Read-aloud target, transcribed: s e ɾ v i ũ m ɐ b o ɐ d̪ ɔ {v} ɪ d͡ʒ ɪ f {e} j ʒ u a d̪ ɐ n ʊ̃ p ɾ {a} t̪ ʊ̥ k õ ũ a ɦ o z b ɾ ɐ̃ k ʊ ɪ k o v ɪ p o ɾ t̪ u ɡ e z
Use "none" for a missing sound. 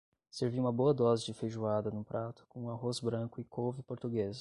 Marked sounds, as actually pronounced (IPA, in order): z, e, a

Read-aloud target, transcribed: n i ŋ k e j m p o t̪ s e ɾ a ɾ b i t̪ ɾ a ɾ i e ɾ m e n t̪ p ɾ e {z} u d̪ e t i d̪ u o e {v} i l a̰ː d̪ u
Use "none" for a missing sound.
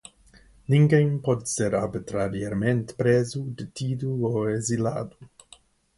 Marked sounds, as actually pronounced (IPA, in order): z, z

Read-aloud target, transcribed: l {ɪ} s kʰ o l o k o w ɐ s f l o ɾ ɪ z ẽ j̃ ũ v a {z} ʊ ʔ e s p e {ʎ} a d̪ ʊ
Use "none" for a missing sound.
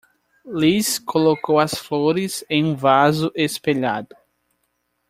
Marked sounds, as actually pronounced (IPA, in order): i, z, ʎ

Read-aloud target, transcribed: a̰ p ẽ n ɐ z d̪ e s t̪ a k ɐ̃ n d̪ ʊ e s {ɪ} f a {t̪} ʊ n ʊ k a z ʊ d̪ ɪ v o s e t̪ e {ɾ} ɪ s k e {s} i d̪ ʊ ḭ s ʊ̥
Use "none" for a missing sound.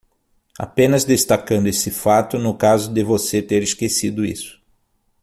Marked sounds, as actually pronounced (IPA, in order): ɪ, t̪, ɾ, s

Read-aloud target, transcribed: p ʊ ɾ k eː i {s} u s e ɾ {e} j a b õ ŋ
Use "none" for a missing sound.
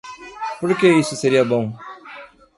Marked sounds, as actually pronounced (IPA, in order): s, i

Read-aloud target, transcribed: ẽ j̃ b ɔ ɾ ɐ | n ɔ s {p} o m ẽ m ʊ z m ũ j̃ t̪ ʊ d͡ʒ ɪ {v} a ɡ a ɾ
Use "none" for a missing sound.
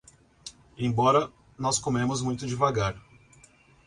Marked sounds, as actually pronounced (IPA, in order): k, v

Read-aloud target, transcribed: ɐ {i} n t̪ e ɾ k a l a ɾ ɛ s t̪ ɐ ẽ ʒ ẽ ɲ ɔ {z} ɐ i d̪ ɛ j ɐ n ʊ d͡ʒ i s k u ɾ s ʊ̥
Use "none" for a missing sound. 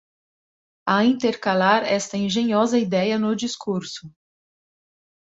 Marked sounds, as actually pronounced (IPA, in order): ĩ, z

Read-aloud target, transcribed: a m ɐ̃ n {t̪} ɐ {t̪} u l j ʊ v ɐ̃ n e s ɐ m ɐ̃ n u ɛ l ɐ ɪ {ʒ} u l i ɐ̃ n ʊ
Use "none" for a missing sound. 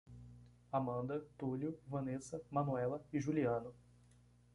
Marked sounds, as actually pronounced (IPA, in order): d̪, t̪, ʒ

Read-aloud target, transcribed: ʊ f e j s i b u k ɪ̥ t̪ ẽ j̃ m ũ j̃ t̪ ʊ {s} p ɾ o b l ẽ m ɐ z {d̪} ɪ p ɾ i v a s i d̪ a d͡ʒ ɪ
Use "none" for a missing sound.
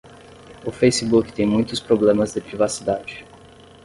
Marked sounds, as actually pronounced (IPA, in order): s, d̪

